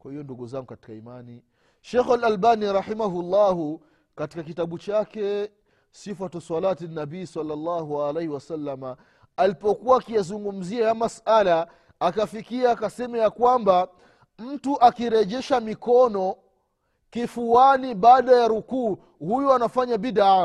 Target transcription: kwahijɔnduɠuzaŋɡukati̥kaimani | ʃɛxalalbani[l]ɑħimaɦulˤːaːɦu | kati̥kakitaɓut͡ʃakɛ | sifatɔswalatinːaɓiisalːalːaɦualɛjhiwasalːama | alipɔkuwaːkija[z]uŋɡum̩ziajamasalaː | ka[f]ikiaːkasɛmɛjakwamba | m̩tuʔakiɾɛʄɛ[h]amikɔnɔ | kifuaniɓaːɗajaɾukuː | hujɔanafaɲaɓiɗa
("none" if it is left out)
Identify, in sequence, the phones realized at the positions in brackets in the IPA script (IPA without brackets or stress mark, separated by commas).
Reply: ɾ, z, f, ʃ